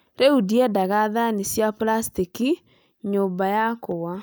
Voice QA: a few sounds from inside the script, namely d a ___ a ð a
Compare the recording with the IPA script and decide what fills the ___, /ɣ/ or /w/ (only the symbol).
ɣ